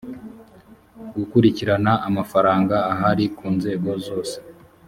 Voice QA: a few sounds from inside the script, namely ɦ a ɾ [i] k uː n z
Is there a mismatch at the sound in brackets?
no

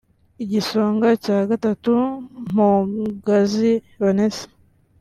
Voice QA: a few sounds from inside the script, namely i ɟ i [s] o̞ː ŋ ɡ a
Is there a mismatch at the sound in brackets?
no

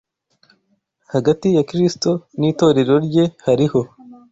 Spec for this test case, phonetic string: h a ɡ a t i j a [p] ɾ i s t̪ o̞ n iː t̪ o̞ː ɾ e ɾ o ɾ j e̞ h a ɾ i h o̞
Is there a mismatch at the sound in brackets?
yes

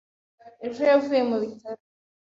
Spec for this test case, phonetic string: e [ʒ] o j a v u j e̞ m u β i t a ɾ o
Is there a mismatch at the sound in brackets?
no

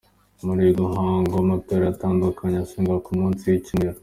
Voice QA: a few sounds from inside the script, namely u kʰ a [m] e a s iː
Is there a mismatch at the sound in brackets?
yes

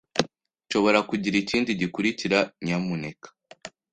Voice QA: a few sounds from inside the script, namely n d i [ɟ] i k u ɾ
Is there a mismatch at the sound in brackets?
no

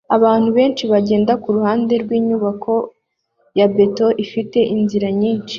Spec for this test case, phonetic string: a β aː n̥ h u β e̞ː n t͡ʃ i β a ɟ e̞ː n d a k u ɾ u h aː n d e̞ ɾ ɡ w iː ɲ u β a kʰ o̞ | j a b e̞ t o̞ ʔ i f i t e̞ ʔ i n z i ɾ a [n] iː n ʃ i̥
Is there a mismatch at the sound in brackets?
yes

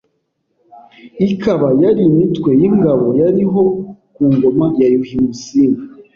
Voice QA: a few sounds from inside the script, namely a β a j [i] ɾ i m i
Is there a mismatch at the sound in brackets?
yes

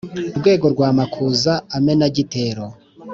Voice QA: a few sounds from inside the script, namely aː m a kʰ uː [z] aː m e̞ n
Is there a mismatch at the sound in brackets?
no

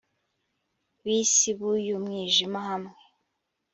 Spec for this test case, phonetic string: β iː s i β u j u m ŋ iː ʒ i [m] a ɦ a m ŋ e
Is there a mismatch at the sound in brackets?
no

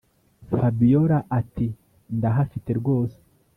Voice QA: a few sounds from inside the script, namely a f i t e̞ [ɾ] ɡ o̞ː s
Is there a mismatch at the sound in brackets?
no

